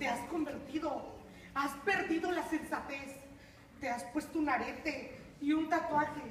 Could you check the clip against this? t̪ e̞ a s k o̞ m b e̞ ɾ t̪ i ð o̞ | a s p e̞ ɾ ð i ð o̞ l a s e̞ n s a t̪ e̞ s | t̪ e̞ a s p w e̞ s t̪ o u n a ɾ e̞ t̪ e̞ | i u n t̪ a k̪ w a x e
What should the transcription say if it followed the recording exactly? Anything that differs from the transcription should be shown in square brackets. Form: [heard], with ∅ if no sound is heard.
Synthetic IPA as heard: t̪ e̞ a s k o̞ m b e̞ ɾ t̪ i ð o̞ | a s p e̞ ɾ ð i ð o̞ l a s e̞ n s a t̪ e̞ s | t̪ e̞ a s p w e̞ s t̪ o u n a ɾ e̞ t̪ e̞ | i u n t̪ a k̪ w a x e